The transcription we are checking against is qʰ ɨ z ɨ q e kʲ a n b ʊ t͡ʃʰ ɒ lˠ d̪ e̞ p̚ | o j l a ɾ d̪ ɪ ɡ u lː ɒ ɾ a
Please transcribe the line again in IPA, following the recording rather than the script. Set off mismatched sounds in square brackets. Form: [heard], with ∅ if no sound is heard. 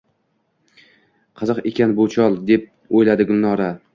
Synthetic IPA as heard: qʰ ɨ z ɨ q e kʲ a n b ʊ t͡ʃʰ ɒ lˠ d̪ e̞ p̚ | o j l a [∅] d̪ ɪ ɡ [ʊ] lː ɒ ɾ a